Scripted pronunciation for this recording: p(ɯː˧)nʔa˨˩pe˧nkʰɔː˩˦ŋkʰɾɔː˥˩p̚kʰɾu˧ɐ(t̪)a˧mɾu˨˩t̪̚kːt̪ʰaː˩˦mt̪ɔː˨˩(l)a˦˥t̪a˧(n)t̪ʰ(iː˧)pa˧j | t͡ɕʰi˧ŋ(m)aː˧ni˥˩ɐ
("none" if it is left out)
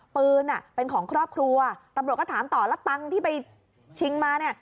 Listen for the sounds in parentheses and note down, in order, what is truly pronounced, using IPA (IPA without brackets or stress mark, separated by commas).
ɯː˧, t̪, l, ŋ, iː˥˩, m